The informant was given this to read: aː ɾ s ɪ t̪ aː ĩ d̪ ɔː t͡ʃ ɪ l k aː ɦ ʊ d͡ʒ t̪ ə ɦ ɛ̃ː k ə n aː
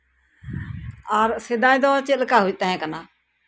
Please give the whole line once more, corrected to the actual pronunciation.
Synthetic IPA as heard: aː ɾ s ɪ d̪ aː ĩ d̪ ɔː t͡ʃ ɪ l k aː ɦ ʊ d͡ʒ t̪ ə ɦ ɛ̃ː k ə n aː

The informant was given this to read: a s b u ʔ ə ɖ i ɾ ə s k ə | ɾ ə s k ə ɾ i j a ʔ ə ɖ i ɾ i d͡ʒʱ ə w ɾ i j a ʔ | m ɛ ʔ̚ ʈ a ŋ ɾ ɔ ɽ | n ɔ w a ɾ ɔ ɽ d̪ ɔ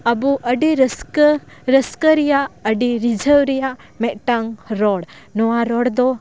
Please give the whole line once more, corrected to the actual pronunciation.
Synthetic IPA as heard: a b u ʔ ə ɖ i ɾ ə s k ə | ɾ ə s k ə ɾ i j a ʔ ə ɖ i ɾ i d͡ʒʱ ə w ɾ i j a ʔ | m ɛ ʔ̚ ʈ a ŋ ɾ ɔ ɽ | n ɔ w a ɾ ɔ ɽ d̪ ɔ

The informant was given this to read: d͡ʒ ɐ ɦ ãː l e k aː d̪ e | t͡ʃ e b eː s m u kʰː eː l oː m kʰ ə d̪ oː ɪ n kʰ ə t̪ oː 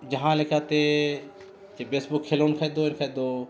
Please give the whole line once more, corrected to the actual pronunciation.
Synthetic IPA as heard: d͡ʒ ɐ ɦ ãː l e k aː t̪ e | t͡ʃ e b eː s b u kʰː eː l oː n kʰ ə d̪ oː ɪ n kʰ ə d̪ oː

